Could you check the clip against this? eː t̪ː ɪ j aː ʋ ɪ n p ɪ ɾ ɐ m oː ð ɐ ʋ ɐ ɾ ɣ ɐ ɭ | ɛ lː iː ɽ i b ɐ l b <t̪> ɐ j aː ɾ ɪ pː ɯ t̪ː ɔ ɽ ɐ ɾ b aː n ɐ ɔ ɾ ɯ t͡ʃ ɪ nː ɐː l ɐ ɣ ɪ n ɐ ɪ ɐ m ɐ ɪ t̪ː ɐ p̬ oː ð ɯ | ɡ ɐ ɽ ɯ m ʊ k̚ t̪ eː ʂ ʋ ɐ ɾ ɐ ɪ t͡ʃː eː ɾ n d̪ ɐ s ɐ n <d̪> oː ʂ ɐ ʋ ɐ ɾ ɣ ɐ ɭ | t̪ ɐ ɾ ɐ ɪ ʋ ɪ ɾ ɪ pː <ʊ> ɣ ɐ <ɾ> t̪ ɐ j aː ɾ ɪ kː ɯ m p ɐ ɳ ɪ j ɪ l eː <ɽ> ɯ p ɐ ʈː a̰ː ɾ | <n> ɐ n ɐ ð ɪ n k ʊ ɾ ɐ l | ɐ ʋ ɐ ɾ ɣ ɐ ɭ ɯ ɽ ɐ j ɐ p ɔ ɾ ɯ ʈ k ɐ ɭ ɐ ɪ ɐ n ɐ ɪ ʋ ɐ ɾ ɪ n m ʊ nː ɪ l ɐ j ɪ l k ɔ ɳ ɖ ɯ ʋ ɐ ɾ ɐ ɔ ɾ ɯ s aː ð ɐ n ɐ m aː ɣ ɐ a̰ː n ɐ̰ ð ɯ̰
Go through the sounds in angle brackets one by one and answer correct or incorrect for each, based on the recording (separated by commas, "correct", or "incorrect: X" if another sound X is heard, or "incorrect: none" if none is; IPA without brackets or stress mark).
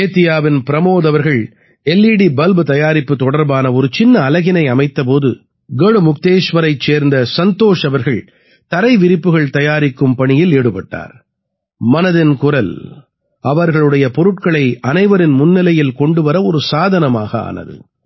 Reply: correct, incorrect: t̪, incorrect: ɯ, incorrect: ɭ, correct, incorrect: m